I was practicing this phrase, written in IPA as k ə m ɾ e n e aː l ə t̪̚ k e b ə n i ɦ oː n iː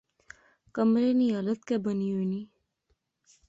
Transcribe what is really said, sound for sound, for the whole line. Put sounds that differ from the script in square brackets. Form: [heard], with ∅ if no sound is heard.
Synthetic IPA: k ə m ɾ e n [i] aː l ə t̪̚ k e b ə n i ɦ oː n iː